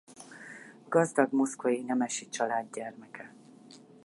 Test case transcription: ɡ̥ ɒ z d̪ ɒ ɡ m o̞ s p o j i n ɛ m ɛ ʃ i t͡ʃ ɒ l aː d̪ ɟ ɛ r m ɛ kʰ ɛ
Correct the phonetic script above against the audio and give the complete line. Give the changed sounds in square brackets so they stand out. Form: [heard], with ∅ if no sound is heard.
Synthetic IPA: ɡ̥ ɒ z d̪ ɒ ɡ m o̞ s [k] o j i n ɛ m ɛ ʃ i t͡ʃ ɒ l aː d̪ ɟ ɛ r m ɛ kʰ ɛ